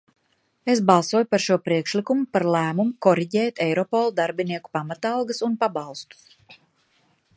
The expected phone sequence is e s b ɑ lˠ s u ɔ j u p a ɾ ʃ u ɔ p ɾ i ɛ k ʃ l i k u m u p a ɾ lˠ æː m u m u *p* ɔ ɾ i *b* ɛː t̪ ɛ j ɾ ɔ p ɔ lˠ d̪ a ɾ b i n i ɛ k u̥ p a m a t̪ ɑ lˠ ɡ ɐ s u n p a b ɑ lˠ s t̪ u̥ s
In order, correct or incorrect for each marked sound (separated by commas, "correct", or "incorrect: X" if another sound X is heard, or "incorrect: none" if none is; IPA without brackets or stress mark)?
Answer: incorrect: k, incorrect: ɟ